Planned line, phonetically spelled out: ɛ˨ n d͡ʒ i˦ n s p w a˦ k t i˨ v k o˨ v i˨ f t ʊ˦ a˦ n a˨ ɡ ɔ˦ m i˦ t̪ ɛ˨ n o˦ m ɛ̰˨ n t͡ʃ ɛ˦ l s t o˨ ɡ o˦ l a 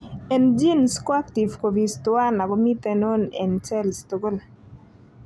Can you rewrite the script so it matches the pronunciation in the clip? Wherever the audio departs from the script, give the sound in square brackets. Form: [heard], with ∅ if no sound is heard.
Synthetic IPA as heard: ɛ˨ n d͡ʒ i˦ n s [k] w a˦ k t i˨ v k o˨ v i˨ [s] t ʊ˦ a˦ n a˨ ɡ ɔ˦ m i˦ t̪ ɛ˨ n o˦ [n] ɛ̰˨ n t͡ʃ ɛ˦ l s t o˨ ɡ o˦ l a